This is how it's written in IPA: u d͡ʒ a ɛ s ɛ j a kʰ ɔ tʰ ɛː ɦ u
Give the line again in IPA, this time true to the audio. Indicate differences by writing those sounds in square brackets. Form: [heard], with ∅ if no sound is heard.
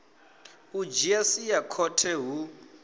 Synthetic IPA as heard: u d͡ʒ [i] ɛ s [i] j a kʰ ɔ tʰ [ɛ] ɦ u